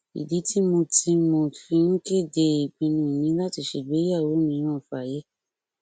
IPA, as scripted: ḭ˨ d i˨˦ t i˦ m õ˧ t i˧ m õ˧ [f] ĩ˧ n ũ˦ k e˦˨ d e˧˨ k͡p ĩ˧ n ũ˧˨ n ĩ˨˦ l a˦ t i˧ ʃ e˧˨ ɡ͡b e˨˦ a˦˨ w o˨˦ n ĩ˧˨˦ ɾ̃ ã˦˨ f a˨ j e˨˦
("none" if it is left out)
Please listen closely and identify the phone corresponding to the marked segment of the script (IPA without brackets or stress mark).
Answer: f